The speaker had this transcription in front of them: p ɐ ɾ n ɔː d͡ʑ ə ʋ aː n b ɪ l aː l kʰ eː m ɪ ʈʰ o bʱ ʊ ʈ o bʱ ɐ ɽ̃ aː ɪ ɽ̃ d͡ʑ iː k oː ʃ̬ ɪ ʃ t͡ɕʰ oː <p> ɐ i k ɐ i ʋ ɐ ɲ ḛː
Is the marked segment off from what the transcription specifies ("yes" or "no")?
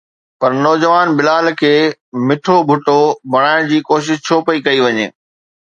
no